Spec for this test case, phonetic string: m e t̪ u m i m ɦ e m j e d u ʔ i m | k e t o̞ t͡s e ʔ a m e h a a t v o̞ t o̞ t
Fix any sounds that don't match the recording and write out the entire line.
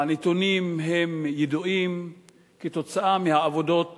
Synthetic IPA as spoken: n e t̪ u n i m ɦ e m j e d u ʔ i m | k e t o̞ t͡s a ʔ a m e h a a v o̞ d o̞ t